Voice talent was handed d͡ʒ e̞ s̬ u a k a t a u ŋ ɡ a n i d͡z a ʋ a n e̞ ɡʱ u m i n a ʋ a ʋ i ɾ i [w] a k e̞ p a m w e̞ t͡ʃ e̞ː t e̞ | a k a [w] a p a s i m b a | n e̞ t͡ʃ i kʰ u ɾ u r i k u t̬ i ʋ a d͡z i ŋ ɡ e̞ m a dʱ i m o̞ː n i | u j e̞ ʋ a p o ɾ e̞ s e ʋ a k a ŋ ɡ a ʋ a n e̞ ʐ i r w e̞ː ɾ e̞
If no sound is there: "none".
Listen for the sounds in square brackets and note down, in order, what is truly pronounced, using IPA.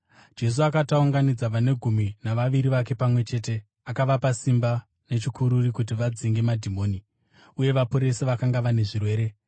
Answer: ʋ, ʋ

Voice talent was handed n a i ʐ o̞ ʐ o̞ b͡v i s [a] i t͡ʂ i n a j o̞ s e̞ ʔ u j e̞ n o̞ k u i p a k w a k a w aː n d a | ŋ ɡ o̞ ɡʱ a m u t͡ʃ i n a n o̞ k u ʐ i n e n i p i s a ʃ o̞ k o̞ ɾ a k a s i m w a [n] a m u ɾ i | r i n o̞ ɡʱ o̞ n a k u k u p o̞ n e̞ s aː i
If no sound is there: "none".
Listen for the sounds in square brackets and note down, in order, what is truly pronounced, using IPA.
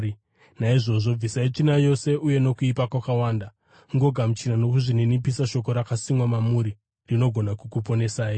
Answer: a, m

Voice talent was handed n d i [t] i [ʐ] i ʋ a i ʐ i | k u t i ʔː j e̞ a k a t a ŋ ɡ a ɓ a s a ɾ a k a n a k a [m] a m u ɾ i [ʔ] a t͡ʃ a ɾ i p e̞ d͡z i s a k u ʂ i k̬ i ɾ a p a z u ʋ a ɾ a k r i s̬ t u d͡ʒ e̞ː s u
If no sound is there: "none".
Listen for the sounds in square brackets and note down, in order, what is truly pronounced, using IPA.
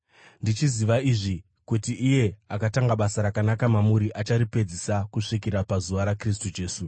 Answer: t͡ʃ, z, m, ʔ

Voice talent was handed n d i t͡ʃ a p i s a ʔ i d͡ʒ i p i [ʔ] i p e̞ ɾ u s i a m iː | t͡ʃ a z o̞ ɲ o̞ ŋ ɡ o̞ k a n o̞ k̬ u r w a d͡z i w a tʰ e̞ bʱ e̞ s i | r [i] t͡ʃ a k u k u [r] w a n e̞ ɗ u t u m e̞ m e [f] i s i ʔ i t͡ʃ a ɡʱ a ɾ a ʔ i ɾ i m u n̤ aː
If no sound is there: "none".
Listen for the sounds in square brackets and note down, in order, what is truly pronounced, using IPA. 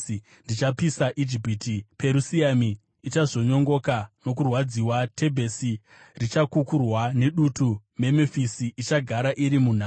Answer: t, i, r, f

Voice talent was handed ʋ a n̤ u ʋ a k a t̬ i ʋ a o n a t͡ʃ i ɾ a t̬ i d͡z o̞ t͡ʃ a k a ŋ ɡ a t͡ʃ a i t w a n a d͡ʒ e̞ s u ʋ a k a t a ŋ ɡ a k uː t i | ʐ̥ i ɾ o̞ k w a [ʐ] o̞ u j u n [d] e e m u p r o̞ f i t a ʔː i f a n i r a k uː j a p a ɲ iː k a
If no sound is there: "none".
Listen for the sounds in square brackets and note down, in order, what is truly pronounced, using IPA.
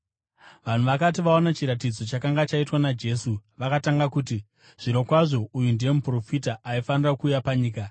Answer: ʐ, d

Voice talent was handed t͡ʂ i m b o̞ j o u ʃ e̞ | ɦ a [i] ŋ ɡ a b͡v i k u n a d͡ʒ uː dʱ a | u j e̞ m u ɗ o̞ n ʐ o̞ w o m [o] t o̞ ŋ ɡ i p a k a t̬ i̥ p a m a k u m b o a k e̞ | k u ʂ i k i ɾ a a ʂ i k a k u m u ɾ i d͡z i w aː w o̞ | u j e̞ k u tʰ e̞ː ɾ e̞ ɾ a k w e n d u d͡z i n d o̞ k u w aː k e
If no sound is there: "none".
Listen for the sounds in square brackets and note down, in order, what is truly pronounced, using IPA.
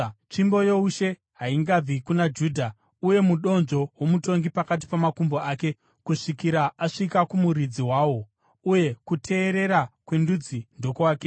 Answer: i, u

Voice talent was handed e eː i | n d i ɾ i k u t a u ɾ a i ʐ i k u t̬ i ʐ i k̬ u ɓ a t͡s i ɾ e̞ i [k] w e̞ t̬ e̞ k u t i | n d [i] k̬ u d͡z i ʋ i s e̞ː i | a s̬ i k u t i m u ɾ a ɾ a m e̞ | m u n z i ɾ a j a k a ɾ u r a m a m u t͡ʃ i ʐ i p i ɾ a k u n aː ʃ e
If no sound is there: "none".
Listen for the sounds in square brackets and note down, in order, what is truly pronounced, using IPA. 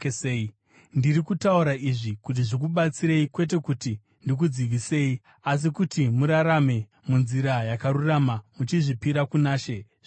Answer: k, i

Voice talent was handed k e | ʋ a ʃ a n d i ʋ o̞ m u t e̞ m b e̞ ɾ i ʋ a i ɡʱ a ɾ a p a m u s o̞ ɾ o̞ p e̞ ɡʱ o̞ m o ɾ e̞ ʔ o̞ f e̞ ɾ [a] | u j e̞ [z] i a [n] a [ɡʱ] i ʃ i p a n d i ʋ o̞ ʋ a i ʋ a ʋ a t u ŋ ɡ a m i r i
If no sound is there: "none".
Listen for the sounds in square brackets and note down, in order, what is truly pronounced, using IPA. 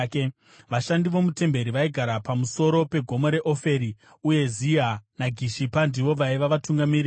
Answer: i, z, n, ɡʱ

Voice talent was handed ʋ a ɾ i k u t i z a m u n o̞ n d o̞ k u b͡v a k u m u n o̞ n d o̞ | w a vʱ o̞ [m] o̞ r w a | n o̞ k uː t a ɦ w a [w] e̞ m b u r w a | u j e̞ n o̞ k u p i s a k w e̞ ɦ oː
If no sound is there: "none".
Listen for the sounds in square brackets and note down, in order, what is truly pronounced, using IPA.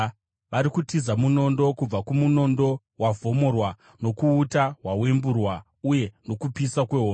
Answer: m, w

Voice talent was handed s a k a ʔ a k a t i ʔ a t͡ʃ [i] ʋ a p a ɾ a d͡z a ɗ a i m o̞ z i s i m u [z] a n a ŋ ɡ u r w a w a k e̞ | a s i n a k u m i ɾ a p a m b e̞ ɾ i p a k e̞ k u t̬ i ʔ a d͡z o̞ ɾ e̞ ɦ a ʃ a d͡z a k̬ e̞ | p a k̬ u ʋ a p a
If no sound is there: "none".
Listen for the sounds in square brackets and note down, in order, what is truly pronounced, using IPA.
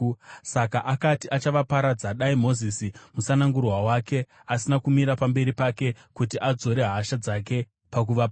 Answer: a, s

